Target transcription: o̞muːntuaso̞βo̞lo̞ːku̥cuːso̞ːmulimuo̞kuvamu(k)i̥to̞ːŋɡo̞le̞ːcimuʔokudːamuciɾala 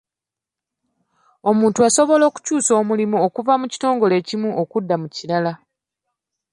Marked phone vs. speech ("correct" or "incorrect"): incorrect